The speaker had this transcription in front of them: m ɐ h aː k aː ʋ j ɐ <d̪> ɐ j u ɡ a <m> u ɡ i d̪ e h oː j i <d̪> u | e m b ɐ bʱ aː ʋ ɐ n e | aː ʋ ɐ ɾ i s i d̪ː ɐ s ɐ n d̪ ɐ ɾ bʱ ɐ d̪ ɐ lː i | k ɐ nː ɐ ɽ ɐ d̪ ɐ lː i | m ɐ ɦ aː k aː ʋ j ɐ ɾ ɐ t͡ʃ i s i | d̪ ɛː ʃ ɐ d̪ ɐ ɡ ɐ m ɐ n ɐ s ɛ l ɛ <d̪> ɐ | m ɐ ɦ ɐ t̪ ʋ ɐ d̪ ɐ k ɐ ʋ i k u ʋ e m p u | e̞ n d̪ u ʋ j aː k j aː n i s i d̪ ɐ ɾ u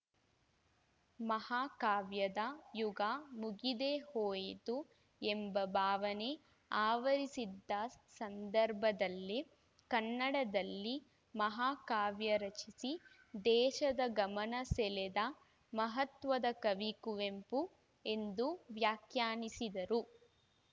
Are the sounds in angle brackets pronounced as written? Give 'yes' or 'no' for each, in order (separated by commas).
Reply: yes, yes, no, yes